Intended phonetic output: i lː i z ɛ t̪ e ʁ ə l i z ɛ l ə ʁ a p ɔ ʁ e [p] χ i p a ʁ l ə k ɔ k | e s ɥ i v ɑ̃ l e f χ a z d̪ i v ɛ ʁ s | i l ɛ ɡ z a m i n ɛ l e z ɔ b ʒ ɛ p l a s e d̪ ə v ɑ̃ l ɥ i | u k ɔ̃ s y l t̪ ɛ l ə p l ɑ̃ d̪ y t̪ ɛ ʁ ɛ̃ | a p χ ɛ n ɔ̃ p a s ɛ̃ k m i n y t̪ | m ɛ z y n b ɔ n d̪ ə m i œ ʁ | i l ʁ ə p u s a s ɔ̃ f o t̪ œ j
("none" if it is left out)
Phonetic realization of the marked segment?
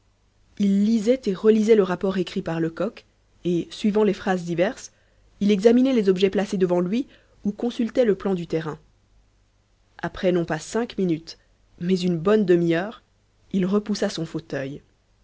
k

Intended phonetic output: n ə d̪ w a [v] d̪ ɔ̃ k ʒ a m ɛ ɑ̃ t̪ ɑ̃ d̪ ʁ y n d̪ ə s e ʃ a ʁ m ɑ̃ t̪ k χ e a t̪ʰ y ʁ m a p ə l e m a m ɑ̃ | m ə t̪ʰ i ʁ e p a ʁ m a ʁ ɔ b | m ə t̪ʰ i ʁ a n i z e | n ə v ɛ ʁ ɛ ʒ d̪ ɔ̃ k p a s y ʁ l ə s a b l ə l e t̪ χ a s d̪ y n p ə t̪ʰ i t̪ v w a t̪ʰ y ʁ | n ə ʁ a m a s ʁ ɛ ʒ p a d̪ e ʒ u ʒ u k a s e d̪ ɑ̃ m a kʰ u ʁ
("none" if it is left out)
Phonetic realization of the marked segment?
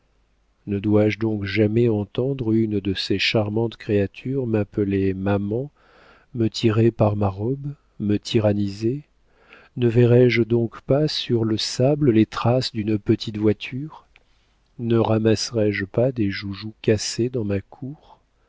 ʒ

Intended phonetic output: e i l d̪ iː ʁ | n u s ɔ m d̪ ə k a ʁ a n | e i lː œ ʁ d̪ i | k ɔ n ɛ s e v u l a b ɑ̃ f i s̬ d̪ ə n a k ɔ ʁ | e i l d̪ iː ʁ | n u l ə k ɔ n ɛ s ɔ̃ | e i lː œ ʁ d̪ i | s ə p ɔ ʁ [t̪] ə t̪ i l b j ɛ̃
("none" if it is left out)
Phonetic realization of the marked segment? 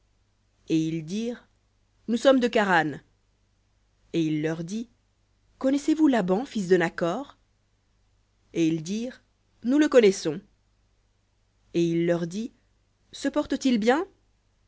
t̪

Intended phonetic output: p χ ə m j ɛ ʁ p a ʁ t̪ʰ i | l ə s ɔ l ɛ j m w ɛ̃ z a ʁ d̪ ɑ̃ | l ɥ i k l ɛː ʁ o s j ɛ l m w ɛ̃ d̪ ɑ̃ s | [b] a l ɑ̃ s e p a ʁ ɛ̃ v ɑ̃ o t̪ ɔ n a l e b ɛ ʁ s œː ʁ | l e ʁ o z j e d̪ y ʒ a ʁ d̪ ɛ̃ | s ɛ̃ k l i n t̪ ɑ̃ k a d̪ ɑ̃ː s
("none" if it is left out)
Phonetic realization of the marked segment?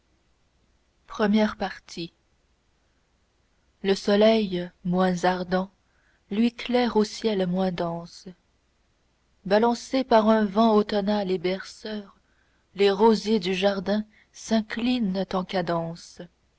b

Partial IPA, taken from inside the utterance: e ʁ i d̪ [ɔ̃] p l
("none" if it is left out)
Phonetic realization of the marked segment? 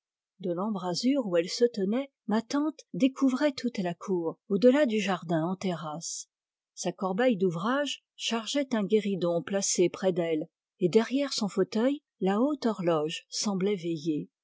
ɔ̃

